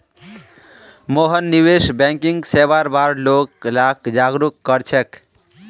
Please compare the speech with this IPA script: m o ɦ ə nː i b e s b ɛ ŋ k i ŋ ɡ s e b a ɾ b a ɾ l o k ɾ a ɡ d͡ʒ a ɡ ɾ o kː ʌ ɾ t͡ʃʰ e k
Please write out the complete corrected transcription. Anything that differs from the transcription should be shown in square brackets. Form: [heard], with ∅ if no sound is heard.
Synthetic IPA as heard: m o ɦ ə nː i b e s b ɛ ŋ k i ŋ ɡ s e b a ɾ b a ɾ l o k [l] a [k] d͡ʒ a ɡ ɾ [u] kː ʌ ɾ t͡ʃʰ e k